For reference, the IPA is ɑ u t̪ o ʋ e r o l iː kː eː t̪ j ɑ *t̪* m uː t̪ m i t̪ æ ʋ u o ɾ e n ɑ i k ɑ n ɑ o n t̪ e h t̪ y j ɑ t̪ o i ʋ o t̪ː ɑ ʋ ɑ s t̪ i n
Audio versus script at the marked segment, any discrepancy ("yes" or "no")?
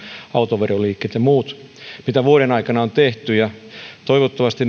yes